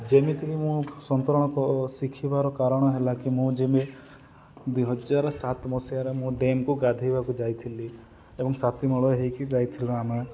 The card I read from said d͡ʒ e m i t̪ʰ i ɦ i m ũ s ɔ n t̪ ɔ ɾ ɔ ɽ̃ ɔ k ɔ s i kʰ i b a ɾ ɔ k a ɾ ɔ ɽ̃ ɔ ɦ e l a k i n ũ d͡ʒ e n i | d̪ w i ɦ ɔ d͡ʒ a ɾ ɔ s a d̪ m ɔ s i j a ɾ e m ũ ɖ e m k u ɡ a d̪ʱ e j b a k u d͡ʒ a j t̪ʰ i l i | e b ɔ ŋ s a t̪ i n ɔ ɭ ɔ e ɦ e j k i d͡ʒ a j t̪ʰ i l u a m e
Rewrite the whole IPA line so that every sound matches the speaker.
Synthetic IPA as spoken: d͡ʒ e m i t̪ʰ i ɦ i m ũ s ɔ n t̪ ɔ ɾ ɔ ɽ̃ ɔ k ɔ s i kʰ i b a ɾ ɔ k a ɾ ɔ ɽ̃ ɔ ɦ e l a k i m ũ d͡ʒ e m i | d̪ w i ɦ ɔ d͡ʒ a ɾ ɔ s a t̪ m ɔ s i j a ɾ e m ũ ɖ e m k u ɡ a d̪ʱ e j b a k u d͡ʒ a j t̪ʰ i l i | e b ɔ ŋ s a t̪ i m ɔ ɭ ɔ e ɦ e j k i d͡ʒ a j t̪ʰ i l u a m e

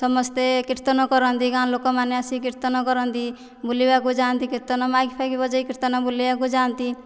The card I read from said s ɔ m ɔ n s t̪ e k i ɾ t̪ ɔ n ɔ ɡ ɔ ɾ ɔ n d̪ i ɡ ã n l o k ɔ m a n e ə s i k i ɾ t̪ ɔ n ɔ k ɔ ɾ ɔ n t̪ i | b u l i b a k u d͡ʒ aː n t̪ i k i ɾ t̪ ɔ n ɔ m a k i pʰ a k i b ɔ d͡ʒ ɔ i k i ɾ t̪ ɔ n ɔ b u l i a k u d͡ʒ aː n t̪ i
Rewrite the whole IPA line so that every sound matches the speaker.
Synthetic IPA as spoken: s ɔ m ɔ s t̪ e k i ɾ t̪ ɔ n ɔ k ɔ ɾ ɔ n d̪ i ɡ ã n l o k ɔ m a n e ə s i k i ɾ t̪ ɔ n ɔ k ɔ ɾ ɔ n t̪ i | b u l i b a k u d͡ʒ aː n t̪ i k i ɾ t̪ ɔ n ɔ m a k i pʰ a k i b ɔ d͡ʒ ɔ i k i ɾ t̪ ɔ n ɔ b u l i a k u d͡ʒ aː n t̪ i

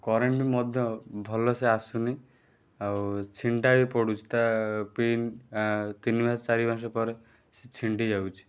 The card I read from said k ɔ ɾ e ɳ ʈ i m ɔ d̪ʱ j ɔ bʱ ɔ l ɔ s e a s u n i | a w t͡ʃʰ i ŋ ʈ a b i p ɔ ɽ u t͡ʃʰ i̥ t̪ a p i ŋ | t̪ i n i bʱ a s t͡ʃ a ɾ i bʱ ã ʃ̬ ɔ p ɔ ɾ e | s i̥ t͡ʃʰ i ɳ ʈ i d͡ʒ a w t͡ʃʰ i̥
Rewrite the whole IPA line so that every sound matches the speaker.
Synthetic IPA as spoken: k ɔ ɾ e ɳ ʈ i m ɔ d̪ʱ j ɔ bʱ ɔ l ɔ s e a s u n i | a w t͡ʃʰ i ɳ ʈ a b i p ɔ ɽ u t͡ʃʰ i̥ t̪ a p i n | t̪ i n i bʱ a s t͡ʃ a ɾ i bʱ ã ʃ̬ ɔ p ɔ ɾ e | s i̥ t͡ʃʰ i ɳ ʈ i d͡ʒ a w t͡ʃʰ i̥

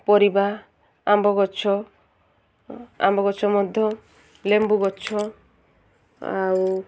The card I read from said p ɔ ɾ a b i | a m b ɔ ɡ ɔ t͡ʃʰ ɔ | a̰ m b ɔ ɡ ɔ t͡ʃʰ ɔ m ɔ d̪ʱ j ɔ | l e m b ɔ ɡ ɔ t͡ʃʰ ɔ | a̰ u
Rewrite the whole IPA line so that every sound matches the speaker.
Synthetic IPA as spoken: p ɔ ɾ i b a | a m b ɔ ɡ ɔ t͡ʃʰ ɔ | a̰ m b ɔ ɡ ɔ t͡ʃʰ ɔ m ɔ d̪ʱ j ɔ | l e m b u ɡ ɔ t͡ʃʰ ɔ | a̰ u

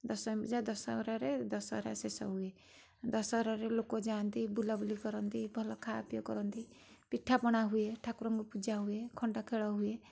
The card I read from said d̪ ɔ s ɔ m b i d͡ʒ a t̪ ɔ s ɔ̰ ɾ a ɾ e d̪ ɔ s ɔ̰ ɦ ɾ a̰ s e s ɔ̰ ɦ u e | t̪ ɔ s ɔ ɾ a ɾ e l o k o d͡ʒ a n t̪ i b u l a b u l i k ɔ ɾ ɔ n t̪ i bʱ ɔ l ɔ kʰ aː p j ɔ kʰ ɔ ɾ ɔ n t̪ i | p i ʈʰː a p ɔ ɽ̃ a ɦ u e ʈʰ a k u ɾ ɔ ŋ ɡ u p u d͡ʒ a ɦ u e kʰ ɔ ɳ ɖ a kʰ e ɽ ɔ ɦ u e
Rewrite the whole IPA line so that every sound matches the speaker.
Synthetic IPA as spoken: d̪ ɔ s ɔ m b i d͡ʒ a d̪ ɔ s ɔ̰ ɾ a ɾ e d̪ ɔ s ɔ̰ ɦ ɾ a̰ s e s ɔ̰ ɦ u e | d̪ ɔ s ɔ ɾ a ɾ e l o k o d͡ʒ a n t̪ i b u l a b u l i k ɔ ɾ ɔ n t̪ i bʱ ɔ l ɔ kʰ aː p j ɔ k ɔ ɾ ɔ n t̪ i | p i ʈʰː a p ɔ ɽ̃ a ɦ u e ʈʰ a k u ɾ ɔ ŋ ɡ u p u d͡ʒ a ɦ u e kʰ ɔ ɳ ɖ a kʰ e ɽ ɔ ɦ u e

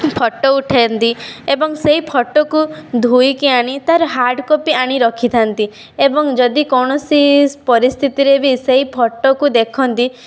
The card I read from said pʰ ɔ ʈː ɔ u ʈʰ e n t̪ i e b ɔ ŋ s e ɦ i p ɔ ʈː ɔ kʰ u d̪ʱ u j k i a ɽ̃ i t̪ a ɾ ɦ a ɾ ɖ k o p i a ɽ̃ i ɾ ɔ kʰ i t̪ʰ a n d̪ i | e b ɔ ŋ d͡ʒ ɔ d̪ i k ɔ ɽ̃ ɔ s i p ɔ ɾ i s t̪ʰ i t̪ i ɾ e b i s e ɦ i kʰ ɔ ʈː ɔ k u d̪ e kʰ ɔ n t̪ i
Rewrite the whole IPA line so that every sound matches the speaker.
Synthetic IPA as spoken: pʰ ɔ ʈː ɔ u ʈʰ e n t̪ i e b ɔ ŋ s e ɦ i pʰ ɔ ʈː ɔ k u d̪ʱ u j k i a ɽ̃ i t̪ a ɾ ɦ a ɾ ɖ k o p i a ɽ̃ i ɾ ɔ kʰ i t̪ʰ a n t̪ i | e b ɔ ŋ d͡ʒ ɔ d̪ i k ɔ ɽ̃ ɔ s i p ɔ ɾ i s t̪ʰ i t̪ i ɾ e b i s e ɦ i pʰ ɔ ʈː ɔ k u d̪ e kʰ ɔ n t̪ i

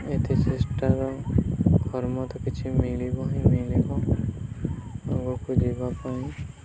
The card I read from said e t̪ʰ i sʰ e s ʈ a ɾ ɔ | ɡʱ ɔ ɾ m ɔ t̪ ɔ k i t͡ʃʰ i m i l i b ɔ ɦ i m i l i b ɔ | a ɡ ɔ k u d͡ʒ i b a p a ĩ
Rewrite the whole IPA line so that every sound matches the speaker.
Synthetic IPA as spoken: e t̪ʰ i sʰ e s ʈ a ɾ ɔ | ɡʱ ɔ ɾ m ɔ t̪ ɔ k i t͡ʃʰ i m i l i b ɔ ɦ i m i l i b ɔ | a ɡ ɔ k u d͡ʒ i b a p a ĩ

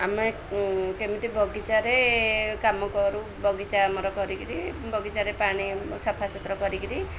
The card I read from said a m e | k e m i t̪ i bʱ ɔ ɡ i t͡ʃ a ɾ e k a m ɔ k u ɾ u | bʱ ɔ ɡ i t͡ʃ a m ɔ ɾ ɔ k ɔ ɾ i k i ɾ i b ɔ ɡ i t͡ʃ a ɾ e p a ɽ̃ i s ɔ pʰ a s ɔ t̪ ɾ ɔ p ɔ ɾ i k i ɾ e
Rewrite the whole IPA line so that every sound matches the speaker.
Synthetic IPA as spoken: a m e | k e m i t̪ i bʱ ɔ ɡ i t͡ʃ a ɾ e k a m ɔ k ɔ ɾ u | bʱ ɔ ɡ i t͡ʃ a m ɔ ɾ ɔ k ɔ ɾ i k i ɾ i b ɔ ɡ i t͡ʃ a ɾ e p a ɽ̃ i s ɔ pʰ a s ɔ t̪ ɾ ɔ k ɔ ɾ i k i ɾ i

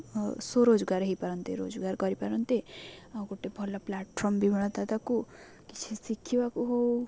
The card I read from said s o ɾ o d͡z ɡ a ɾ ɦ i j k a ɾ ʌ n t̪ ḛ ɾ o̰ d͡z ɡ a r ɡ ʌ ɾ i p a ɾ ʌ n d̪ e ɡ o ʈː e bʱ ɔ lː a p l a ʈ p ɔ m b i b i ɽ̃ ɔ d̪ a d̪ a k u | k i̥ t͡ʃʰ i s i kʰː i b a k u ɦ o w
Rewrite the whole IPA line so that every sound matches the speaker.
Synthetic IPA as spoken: s o ɾ o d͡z ɡ a ɾ ɦ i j p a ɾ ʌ n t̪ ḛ ɾ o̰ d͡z ɡ a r ɡ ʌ ɾ i p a ɾ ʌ n t̪ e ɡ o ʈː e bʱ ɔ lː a p l a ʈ pʰ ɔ m b i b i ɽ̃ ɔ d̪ a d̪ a k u | k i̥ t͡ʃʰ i s i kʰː i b a k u ɦ o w

